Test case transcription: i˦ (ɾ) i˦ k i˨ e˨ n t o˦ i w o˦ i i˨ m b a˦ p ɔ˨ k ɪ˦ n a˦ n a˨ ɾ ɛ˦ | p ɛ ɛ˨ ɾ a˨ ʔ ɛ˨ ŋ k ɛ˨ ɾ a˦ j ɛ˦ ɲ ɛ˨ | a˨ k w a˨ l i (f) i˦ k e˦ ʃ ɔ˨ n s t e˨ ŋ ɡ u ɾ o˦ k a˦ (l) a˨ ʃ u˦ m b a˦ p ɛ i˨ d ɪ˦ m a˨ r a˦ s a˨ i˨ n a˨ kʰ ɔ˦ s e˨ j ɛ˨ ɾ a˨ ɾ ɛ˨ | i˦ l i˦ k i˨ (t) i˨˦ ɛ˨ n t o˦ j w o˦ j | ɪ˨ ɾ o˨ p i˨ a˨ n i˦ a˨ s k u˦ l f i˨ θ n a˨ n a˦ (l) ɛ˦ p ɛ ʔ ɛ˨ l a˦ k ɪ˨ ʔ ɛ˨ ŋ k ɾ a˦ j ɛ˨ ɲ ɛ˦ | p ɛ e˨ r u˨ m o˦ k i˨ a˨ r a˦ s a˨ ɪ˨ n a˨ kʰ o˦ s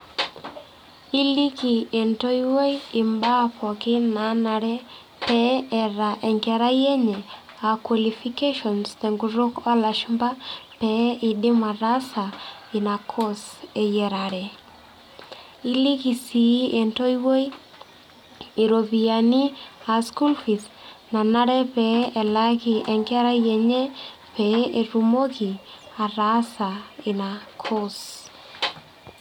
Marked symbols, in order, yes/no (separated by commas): no, yes, yes, no, no